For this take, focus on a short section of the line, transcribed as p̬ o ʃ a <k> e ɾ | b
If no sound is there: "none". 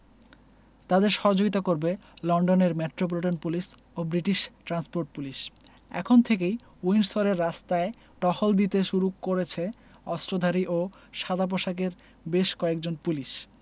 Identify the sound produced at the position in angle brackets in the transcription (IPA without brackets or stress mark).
k